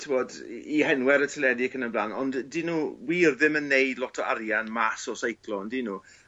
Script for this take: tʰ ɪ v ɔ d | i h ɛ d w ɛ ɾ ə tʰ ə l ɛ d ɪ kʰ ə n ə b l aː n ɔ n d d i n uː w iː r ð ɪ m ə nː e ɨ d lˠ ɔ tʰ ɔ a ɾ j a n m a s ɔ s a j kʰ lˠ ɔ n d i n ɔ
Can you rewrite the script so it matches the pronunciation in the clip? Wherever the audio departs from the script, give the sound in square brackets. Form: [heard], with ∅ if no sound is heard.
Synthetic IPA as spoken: tʰ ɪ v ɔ d | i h ɛ [n] w ɛ ɾ ə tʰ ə l ɛ d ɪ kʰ ə n ə b l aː n ɔ n d d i n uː w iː r ð ɪ m ə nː e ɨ d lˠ ɔ tʰ ɔ a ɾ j a n m a s ɔ s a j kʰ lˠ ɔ n d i n [u]